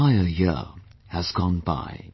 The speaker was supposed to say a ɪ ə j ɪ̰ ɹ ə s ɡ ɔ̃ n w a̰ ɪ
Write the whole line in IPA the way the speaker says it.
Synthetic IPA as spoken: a ɪ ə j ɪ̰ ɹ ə z ɡ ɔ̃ n b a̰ ɪ